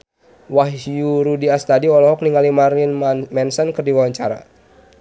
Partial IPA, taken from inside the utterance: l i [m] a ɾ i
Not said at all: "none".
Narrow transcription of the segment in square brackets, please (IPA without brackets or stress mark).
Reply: m